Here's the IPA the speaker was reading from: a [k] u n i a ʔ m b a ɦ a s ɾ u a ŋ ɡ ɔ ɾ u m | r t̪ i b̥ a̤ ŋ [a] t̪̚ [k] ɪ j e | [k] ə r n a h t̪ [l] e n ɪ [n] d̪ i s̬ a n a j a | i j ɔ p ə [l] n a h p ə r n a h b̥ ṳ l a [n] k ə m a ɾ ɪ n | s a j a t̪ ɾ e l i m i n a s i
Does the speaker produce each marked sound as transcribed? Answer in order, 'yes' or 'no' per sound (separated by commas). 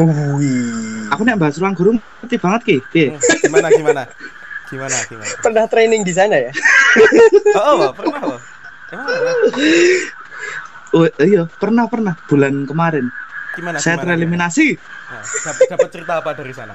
yes, no, yes, no, no, no, no, yes